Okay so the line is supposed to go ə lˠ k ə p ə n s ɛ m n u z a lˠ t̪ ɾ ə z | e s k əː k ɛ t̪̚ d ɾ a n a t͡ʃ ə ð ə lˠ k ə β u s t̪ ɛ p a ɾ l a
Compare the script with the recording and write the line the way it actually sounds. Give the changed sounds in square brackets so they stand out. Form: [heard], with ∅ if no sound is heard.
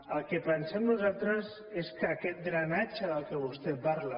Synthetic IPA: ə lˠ k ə p ə n s ɛ m n u z a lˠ t̪ ɾ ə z | e s k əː k ɛ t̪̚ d ɾ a n a t͡ʃ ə ð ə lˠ k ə β u s t̪ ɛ p a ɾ l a